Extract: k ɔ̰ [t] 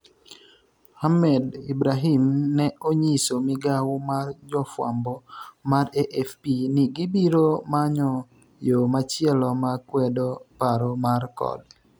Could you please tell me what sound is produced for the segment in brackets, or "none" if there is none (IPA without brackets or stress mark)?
d